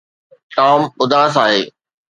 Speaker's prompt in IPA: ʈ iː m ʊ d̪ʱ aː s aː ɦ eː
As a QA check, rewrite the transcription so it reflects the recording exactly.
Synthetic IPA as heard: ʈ aː m ʊ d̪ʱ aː s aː ɦ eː